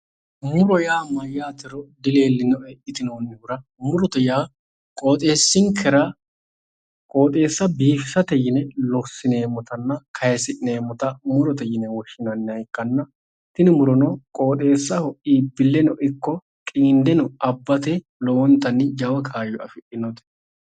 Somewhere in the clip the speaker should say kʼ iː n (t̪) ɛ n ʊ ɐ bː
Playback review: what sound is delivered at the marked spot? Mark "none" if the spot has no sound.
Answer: d̪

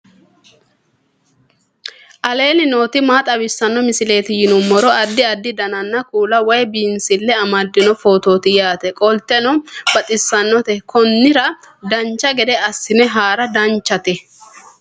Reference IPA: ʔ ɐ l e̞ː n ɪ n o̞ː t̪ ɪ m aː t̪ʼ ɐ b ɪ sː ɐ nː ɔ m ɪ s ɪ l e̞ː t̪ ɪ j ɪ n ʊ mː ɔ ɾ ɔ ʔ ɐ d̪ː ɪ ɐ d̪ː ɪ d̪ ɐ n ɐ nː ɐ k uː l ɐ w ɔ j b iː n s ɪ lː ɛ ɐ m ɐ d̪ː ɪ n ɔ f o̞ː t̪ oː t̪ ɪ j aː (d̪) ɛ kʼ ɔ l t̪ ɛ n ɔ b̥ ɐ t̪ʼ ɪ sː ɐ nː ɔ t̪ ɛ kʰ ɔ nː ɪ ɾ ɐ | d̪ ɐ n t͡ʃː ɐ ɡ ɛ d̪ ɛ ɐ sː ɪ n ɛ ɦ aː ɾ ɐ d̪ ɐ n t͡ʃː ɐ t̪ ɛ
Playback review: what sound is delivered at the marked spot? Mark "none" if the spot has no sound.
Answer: t̪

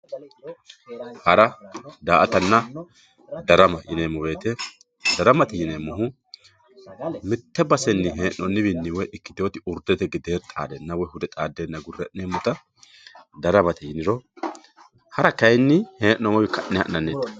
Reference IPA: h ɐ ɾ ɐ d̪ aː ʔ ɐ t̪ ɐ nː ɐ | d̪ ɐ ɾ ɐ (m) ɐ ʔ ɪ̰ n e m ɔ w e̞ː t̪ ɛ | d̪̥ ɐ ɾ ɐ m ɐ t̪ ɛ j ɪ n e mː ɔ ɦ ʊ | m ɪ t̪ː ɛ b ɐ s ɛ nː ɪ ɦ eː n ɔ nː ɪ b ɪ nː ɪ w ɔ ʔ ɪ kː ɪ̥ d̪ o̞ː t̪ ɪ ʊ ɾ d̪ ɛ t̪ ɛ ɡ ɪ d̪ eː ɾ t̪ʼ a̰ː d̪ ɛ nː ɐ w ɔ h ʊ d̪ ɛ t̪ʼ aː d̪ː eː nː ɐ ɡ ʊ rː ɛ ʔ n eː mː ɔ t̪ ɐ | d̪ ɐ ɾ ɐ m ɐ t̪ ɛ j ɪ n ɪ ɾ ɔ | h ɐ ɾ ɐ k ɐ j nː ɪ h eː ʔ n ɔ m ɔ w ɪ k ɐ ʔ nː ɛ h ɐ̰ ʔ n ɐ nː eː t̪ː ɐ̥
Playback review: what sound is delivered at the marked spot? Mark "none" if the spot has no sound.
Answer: m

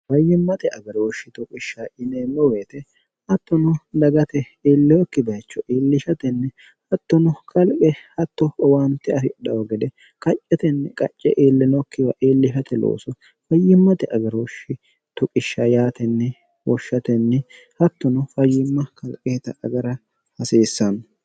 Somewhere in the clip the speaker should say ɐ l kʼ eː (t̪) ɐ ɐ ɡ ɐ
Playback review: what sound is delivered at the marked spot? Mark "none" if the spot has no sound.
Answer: t̪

